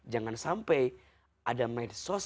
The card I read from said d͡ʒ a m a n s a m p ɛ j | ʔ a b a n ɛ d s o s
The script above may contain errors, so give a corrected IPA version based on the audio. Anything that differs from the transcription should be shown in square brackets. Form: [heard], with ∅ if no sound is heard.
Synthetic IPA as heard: d͡ʒ a [ŋ] a n s a m p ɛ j | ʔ a [d] a [m] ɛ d s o s